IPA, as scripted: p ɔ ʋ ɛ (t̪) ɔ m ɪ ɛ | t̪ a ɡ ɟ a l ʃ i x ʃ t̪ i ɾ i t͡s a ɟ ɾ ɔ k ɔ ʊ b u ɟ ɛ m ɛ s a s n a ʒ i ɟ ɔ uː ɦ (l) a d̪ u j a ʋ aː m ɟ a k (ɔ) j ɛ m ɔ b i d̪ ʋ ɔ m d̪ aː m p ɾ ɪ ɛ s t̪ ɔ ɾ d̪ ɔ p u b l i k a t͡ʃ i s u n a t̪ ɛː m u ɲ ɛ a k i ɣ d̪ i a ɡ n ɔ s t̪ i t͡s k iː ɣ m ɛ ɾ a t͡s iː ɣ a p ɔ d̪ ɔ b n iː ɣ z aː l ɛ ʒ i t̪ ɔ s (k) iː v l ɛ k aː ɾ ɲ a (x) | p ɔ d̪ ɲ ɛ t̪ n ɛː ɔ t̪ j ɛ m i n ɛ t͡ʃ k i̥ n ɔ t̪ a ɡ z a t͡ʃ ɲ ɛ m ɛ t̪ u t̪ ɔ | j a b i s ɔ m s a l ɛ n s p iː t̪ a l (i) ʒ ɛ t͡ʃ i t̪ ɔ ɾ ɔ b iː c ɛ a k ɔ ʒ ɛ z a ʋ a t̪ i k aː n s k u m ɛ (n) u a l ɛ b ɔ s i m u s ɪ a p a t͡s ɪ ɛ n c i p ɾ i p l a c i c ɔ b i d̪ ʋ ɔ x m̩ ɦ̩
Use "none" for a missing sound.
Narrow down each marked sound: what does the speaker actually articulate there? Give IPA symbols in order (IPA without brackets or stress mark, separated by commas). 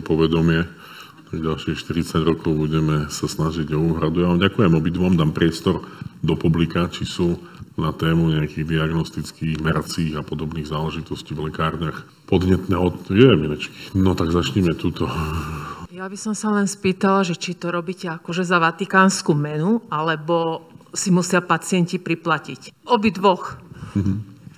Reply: d̪, ɾ, u, c, x, a, n